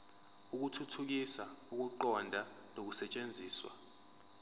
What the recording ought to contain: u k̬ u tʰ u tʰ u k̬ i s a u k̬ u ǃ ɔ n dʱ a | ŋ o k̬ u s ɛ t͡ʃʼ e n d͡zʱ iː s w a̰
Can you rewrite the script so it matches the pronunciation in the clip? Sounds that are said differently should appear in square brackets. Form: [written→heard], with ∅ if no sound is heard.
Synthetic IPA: u k̬ u tʰ u tʰ u k̬ i s a u k̬ u ǃ ɔ n dʱ a | [ŋ→n] o k̬ u s ɛ t͡ʃʼ e n d͡zʱ iː s w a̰